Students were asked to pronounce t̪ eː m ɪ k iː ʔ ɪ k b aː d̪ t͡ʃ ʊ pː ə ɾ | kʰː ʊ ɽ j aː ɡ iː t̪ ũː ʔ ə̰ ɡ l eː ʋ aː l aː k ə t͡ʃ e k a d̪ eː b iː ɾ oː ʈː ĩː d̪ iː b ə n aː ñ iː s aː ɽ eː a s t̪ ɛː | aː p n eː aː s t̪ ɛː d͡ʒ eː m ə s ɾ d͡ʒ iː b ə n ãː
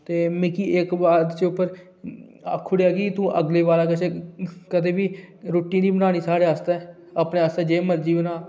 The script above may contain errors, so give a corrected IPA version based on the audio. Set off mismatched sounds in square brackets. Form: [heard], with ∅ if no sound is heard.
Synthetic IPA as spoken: t̪ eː m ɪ k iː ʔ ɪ k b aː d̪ t͡ʃ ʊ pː ə ɾ | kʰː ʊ ɽ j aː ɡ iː t̪ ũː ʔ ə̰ ɡ l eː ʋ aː l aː k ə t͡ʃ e k [ə] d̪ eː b iː ɾ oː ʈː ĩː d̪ iː b ə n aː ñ iː s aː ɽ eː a s t̪ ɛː | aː p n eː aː s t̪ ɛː d͡ʒ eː m ə [∅] ɾ d͡ʒ iː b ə n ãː